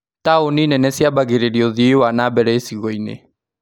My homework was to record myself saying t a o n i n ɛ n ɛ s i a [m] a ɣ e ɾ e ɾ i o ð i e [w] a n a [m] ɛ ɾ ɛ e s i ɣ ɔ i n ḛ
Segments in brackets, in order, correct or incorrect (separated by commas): incorrect, correct, incorrect